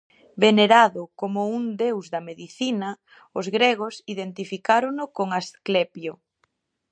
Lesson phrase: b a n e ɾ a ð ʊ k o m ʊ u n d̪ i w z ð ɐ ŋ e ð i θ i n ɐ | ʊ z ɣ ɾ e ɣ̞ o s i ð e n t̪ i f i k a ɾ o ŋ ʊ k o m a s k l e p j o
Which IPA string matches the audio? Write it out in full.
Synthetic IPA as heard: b e n e ɾ a ð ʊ k o m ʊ u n d̪ e w z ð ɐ m e ð i θ i n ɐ | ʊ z ɣ ɾ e ɣ̞ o s i ð e n t̪ i f i k a ɾ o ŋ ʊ k o ŋ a s k l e p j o